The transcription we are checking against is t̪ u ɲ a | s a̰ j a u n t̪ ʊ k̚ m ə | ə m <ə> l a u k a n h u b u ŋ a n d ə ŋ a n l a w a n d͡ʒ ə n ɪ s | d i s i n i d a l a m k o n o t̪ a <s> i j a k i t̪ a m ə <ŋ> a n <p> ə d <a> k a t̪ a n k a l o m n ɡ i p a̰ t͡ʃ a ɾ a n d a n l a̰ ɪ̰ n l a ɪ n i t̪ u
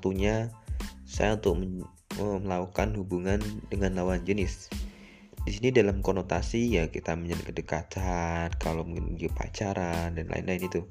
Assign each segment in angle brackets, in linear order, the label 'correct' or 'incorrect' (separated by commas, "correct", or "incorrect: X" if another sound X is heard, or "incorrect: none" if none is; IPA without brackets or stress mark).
correct, correct, incorrect: ɲ, incorrect: k, incorrect: ə